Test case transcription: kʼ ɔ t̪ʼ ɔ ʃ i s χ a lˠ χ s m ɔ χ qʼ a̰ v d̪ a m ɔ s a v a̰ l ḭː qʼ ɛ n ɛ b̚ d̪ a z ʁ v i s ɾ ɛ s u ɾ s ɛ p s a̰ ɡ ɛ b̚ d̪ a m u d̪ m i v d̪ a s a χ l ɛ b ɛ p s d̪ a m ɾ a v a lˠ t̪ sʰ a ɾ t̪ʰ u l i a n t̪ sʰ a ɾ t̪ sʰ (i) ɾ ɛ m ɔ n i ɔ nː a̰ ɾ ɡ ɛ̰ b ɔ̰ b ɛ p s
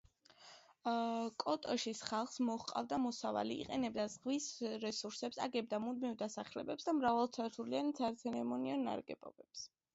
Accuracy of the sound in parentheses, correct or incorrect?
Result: incorrect